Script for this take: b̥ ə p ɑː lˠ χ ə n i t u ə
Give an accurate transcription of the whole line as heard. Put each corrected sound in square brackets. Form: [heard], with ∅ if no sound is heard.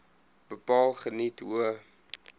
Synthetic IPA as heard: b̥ ə p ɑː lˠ χ ə n i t u ə

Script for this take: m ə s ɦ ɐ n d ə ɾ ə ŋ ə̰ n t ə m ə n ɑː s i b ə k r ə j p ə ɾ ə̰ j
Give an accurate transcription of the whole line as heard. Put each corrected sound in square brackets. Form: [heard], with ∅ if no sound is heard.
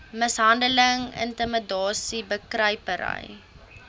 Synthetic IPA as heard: m ə s ɦ ɐ n d ə [l] ə ŋ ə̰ n t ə m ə [d] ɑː s i b ə k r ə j p ə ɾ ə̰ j

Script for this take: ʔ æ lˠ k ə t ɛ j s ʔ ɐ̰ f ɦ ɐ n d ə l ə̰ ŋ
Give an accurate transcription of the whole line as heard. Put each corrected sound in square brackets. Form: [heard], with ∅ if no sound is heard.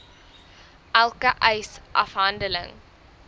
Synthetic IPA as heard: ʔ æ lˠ k ə [ʔ] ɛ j s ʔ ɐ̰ f ɦ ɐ n d ə l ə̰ ŋ

